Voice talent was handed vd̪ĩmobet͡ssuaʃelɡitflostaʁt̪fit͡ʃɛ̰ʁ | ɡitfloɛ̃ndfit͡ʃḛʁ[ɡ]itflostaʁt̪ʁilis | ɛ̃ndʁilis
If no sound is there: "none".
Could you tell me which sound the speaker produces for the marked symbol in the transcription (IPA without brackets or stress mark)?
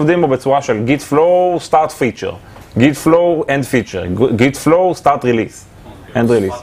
ɡ